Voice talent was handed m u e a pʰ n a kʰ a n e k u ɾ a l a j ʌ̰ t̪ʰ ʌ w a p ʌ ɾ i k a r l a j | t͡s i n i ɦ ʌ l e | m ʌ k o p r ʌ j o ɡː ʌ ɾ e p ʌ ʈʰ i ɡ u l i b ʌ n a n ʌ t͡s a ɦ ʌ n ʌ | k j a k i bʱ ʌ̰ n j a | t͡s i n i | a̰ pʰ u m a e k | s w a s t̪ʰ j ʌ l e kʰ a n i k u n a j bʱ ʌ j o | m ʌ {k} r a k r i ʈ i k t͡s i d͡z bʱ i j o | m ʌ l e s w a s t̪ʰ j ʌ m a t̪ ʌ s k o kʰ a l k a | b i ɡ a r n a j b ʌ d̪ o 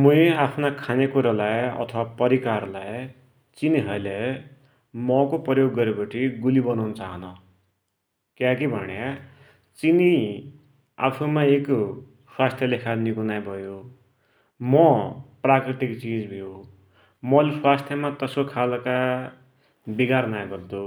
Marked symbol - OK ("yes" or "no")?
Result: no